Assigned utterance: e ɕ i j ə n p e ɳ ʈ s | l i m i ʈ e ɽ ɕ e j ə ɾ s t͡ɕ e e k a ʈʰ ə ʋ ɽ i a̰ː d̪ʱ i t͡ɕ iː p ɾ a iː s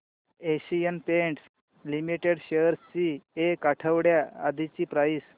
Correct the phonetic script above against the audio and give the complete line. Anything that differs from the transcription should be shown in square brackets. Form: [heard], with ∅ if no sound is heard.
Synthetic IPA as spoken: e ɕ i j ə n p e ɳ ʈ s | l i m i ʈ e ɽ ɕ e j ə ɾ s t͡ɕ [i] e k a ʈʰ ə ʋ ɽ [j] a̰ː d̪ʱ i t͡ɕ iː p ɾ a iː s

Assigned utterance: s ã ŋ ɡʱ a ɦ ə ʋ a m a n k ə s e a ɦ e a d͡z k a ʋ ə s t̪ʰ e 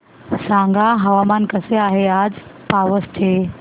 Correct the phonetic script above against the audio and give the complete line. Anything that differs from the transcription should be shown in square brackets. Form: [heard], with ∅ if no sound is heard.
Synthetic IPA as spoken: s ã ŋ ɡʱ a ɦ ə ʋ a m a n k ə s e a ɦ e a d͡z [p] a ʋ ə s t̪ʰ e

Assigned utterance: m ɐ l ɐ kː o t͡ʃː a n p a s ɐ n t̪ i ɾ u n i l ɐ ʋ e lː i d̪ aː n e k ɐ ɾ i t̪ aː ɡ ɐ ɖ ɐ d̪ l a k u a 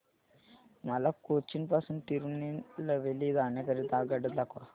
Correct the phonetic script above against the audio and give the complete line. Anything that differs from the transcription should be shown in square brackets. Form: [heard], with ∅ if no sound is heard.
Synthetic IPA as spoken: m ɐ l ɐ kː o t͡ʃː [i] n p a s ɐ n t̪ i ɾ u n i l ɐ ʋ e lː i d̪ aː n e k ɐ ɾ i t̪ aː ɡ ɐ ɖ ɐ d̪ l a k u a

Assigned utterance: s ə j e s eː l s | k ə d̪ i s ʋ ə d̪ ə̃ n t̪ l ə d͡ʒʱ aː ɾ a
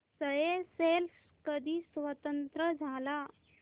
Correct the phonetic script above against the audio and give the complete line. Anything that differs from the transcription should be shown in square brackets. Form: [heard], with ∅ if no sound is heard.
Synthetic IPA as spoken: s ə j e s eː l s | k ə d̪ i s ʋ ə [t̪] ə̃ n t̪ [ɾ] ə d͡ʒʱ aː [l] a

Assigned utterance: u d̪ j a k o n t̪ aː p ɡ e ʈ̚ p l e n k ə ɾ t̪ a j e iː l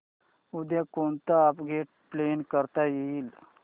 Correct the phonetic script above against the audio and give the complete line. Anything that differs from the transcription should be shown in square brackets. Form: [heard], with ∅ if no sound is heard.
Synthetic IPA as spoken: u d̪ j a k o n t̪ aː p ɡ e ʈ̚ p l e n k ə ɾ t̪ a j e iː l

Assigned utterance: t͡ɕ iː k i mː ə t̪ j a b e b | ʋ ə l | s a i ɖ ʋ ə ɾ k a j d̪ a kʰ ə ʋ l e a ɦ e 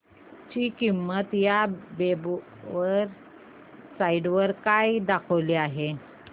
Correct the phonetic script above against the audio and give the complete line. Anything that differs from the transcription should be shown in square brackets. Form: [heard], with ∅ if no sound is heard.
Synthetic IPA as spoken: t͡ɕ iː k i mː ə t̪ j a b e b | ʋ ə [ɾ] | s a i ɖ ʋ ə ɾ k a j d̪ a kʰ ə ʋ l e a ɦ e

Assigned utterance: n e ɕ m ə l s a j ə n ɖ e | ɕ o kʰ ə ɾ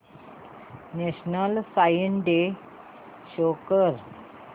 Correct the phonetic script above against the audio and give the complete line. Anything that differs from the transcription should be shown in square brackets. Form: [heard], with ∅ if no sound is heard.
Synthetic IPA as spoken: n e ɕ [n] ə l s a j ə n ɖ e | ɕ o [k] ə ɾ

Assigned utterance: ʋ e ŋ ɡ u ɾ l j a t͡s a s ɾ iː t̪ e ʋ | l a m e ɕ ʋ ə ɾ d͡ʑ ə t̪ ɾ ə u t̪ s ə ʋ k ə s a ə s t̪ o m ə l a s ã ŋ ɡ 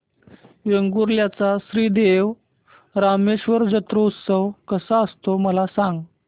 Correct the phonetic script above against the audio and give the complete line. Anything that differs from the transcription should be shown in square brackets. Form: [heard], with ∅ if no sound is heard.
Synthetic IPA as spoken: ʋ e ŋ ɡ u ɾ l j a t͡s a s ɾ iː [d̪] e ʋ | [ɾ] a m e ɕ ʋ ə ɾ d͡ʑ ə t̪ ɾ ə u t̪ s ə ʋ k ə s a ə s t̪ o m ə l a s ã ŋ ɡ

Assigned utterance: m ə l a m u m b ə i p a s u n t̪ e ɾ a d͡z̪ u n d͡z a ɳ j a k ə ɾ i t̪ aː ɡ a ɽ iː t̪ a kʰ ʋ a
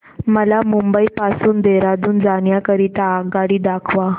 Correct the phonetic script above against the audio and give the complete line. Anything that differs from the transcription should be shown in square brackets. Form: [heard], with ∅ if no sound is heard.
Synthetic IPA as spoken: m ə l a m u m b ə i p a s [uː] n [d̪] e ɾ a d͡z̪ [uː] n d͡z a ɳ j a k ə ɾ i t̪ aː ɡ a ɽ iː [d̪] a kʰ ʋ a

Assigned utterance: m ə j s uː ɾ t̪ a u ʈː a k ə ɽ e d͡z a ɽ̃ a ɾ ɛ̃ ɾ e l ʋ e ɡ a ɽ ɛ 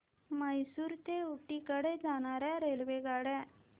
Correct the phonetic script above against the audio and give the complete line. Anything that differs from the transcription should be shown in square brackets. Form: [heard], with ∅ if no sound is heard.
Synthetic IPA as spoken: m ə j s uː ɾ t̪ [e] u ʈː [i] k ə ɽ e d͡z a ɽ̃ a ɾ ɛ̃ ɾ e l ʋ e ɡ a ɽ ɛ

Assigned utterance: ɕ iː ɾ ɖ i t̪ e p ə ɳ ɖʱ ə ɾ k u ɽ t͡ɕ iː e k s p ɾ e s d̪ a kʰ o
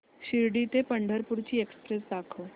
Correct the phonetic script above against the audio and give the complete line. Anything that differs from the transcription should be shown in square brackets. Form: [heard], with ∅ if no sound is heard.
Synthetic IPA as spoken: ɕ [i] ɾ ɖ i t̪ e p ə ɳ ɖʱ ə ɾ [p] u [ɾ] t͡ɕ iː e k s p ɾ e s d̪ a kʰ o

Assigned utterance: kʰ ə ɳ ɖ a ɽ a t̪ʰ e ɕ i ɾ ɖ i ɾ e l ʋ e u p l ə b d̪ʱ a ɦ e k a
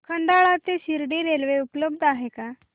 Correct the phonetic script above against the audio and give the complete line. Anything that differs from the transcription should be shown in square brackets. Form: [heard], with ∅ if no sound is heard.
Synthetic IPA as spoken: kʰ ə ɳ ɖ a [ɭ] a [t̪] e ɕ i ɾ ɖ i ɾ e l ʋ e u p l ə b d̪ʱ a ɦ e k a

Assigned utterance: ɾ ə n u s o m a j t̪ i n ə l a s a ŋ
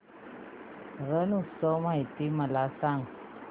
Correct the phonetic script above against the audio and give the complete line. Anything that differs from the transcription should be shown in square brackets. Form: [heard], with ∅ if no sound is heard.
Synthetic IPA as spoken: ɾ ə n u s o m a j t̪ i [m] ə l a s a ŋ

